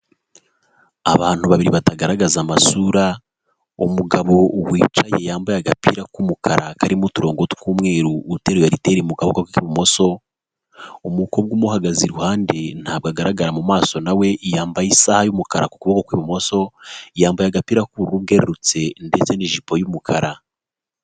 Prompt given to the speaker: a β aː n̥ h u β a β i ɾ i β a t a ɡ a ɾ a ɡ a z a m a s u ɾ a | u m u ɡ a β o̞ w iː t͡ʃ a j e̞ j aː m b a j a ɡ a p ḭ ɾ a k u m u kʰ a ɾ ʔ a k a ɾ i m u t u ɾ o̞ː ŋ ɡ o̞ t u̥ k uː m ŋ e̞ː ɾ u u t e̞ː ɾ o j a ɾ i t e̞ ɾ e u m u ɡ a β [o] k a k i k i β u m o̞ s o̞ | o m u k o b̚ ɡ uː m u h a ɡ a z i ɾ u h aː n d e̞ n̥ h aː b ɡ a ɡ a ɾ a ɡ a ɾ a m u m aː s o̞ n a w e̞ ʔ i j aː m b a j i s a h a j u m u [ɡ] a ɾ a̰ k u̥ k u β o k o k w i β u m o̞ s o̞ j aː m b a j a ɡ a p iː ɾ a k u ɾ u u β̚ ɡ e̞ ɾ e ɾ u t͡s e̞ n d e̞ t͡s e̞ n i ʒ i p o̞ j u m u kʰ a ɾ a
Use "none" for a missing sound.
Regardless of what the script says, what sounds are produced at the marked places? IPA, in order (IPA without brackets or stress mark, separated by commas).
o, k